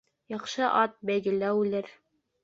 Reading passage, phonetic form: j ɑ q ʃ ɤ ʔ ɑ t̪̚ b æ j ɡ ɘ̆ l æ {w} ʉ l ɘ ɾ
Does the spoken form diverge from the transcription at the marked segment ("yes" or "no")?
no